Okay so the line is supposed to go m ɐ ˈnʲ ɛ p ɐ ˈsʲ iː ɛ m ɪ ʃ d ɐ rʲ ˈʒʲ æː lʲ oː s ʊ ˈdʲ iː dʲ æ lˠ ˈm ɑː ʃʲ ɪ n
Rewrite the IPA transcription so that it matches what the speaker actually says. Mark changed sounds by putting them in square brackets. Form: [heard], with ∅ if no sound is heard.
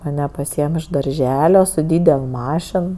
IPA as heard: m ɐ ˈnʲ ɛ p ɐ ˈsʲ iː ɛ m ɪ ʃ d ɐ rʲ ˈʒʲ æː lʲ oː s ʊ ˈdʲ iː dʲ [ɛ] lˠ ˈm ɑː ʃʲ ɪ n